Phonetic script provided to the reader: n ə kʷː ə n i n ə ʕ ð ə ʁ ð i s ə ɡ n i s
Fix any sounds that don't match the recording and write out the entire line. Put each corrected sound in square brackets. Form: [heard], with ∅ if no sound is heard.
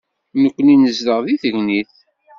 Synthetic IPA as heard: n ə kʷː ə n i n ə [z] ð ə ʁ ð i [θ] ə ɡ n i [θ]